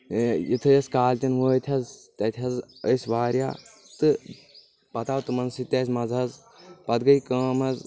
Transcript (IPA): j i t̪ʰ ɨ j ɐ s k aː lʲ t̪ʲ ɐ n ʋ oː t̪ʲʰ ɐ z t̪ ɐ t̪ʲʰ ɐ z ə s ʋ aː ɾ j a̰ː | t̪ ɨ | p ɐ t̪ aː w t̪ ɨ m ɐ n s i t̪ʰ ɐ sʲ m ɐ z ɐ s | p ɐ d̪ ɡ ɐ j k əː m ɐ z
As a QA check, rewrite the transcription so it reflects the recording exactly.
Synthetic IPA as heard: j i t̪ʰ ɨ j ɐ s k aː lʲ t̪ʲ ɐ n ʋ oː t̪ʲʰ ɐ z t̪ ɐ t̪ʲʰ ɐ z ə s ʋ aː ɾ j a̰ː | t̪ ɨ | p ɐ t̪ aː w t̪ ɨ m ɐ n s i t̪ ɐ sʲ m ɐ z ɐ z | p ɐ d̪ ɡ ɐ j k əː m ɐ z